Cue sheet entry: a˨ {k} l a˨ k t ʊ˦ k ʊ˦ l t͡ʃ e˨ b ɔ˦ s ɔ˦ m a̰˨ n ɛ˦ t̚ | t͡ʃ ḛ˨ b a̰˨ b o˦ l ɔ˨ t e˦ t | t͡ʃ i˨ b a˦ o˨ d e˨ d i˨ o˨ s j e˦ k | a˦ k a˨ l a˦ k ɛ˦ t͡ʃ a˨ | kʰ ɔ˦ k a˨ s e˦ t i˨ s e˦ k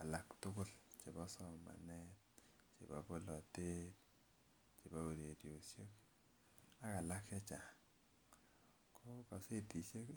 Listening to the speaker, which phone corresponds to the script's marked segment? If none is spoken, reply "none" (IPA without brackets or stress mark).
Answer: none